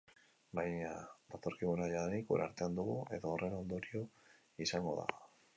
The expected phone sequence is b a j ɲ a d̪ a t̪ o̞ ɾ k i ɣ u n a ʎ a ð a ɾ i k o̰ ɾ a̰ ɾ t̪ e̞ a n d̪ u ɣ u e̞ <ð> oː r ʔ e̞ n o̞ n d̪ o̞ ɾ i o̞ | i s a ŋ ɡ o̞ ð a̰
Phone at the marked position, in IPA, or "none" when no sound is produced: ð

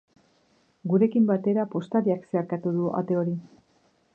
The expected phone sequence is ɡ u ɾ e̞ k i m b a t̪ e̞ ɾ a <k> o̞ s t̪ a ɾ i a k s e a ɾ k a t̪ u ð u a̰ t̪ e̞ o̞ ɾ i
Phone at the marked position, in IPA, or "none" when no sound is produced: p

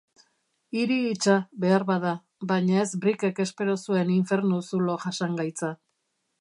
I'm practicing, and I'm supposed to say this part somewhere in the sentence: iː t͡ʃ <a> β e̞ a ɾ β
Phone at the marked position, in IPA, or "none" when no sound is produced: a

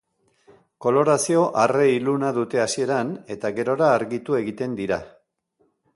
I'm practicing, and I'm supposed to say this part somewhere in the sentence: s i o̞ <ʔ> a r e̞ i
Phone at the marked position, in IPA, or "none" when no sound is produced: ʔ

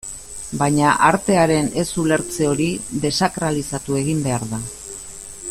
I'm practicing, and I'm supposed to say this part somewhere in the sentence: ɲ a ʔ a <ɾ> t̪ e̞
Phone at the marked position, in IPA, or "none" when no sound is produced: ɾ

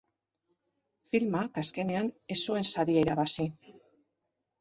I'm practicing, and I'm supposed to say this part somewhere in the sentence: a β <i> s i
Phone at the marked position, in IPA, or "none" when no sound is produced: a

